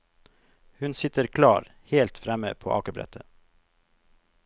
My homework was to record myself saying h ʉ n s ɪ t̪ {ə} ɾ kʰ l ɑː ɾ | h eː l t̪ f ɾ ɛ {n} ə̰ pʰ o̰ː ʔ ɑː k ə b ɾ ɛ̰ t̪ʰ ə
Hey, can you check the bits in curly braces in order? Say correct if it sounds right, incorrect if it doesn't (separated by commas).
correct, incorrect